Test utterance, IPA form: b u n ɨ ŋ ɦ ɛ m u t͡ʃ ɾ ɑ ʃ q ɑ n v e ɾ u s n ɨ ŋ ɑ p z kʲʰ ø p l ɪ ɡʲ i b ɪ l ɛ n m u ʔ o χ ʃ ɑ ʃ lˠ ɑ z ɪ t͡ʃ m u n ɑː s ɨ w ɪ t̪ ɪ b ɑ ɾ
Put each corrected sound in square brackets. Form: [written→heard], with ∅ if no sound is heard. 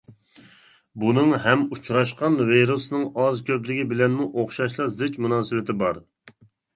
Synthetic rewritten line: b u n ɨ ŋ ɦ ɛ m u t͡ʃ ɾ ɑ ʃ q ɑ n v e ɾ u s n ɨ ŋ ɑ [p→∅] z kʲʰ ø p l ɪ ɡʲ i b ɪ l ɛ n m u ʔ o χ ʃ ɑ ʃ lˠ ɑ z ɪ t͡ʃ m u n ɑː s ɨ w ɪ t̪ ɪ b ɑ ɾ